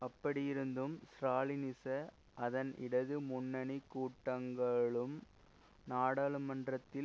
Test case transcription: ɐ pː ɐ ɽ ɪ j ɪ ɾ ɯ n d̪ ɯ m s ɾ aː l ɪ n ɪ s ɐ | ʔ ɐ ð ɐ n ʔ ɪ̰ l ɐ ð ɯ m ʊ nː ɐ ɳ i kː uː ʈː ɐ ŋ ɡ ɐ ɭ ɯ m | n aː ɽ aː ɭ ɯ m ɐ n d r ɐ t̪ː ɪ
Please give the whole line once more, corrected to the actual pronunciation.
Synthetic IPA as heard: ɐ pː ɐ ɽ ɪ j ɪ ɾ ɯ n d̪ ɯ m s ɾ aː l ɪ n ɪ s ɐ | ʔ ɐ ð ɐ n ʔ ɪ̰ ɽ ɐ ð ɯ m ʊ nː ɐ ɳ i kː uː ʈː ɐ ŋ ɡ ɐ ɭ ɯ m | n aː ɽ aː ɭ ɯ m ɐ n d r ɐ t̪ː ɪ